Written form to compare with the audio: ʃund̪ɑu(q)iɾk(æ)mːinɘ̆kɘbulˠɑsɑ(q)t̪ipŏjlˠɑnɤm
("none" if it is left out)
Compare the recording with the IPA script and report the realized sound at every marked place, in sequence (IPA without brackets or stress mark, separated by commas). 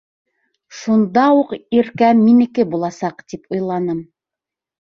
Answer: q, æ, q